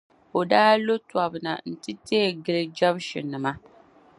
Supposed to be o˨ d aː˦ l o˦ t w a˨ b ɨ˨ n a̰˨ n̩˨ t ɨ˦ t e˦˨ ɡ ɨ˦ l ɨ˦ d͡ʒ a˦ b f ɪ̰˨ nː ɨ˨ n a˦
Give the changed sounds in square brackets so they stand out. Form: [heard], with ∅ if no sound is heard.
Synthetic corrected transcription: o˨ d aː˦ l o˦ t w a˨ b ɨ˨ n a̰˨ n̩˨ t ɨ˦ t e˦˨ ɡ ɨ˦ l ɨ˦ d͡ʒ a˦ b [ʃ] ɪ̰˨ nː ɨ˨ [m] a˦